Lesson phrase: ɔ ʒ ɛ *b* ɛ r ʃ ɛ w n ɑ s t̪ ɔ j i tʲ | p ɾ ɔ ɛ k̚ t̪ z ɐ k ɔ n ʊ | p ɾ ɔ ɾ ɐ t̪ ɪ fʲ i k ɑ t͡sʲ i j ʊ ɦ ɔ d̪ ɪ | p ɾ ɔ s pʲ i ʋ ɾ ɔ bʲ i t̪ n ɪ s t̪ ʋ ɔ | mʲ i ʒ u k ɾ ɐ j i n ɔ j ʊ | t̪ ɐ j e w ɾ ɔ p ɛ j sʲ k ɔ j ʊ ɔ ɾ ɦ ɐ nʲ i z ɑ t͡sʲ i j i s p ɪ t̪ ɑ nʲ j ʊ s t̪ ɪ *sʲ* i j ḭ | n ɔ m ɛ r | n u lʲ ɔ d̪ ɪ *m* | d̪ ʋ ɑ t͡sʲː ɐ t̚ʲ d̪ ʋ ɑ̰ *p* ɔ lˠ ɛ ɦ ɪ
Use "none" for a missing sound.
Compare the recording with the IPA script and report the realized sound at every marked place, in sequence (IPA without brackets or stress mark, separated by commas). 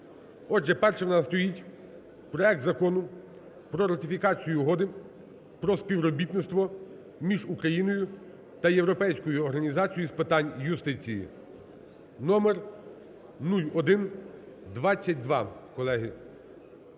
p, t͡sʲ, n, k